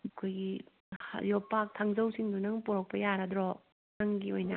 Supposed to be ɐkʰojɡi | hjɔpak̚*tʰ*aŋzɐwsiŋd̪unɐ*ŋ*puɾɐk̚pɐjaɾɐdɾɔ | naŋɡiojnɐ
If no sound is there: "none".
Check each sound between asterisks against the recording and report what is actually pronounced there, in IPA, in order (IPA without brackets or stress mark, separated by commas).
tʰ, ŋ